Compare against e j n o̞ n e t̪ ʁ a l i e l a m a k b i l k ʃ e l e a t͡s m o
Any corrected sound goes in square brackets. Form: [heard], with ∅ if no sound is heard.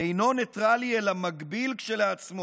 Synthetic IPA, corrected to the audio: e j n o̞ n e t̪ ʁ a l i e l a m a [ɡ] b i l k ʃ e l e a t͡s m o